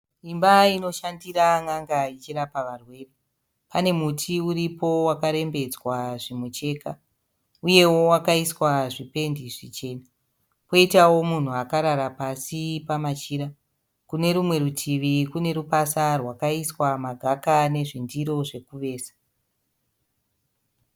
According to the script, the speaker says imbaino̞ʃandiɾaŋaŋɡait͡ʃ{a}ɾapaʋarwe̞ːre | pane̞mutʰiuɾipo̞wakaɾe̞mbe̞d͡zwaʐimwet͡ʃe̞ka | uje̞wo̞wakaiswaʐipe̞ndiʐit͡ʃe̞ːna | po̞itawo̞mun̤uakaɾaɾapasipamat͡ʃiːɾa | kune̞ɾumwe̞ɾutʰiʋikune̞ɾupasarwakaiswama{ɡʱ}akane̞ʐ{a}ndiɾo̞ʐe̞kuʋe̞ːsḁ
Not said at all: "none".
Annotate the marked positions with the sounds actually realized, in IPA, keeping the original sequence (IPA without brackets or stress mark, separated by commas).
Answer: i, ɡʱ, i